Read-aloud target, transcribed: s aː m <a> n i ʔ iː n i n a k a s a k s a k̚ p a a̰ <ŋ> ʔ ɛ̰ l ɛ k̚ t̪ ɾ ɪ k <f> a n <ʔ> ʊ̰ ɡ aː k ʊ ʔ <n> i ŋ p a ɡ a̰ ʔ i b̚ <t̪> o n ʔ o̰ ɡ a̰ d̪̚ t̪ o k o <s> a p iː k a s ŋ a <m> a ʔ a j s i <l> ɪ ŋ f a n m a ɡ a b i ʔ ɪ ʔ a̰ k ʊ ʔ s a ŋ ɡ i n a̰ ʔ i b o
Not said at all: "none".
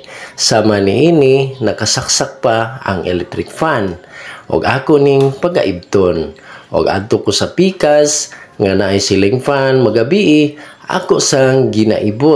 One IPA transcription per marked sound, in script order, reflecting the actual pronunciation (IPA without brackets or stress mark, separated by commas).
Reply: a, ŋ, f, ʔ, n, t̪, s, n, l